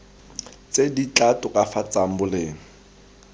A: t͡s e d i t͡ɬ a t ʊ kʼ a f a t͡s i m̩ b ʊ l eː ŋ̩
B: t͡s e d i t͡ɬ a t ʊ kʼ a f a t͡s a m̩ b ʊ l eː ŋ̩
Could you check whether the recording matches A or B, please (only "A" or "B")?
B